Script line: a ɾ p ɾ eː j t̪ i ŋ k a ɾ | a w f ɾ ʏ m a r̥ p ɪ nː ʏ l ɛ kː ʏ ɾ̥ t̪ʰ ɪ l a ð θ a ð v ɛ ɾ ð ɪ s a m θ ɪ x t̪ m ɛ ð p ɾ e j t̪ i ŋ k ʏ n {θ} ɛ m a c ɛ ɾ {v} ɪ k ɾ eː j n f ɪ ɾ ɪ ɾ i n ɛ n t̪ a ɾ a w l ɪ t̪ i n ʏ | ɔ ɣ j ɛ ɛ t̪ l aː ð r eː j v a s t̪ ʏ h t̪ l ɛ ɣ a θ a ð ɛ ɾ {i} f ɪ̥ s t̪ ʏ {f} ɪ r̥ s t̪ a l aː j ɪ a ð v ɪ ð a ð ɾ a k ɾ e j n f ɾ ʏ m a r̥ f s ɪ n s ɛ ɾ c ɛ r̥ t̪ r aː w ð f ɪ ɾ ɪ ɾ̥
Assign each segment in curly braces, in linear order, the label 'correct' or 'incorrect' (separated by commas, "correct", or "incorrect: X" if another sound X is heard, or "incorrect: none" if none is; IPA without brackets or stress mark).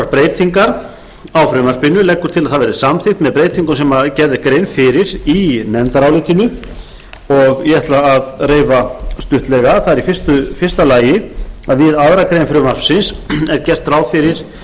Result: incorrect: s, incorrect: ð, correct, correct